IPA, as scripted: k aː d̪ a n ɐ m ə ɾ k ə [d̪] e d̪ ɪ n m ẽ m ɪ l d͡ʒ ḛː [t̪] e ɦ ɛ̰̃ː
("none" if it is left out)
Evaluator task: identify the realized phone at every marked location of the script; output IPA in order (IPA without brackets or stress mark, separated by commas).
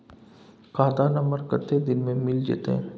t̪, t̪